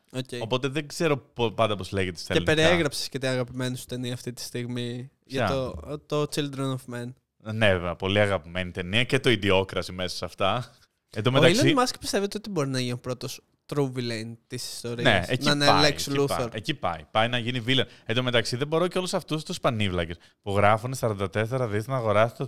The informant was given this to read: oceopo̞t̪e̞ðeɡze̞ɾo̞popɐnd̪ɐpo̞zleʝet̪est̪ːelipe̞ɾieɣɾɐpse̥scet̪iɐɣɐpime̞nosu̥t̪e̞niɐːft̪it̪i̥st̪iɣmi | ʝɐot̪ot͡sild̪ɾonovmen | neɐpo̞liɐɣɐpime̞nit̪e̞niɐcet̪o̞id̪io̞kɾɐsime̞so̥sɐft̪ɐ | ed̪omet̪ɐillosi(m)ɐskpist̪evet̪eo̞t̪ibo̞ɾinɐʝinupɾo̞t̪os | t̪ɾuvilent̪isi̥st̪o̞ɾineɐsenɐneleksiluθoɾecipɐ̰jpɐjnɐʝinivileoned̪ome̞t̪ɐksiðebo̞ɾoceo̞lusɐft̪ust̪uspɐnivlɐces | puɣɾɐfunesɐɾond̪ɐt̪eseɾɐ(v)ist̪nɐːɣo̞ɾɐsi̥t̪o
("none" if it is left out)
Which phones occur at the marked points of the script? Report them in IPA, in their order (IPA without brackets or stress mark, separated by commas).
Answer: m, ð